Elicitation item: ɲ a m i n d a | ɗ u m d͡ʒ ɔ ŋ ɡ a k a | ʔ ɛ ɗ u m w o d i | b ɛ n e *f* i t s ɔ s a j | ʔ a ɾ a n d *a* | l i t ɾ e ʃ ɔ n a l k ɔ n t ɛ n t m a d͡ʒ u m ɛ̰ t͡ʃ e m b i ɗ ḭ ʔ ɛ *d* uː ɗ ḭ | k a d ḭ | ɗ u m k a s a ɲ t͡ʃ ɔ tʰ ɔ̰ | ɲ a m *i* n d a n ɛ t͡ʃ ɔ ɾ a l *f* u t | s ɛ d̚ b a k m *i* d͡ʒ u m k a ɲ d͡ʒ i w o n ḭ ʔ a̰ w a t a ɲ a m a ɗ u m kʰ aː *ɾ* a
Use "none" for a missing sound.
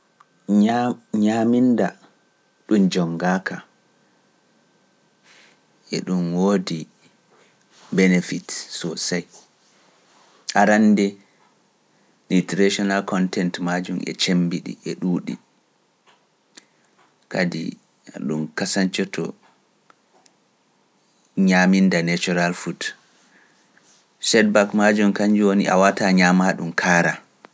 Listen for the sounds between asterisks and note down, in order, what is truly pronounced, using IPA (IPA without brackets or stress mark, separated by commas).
f, ɛ, ɗ, i, f, a, ɾ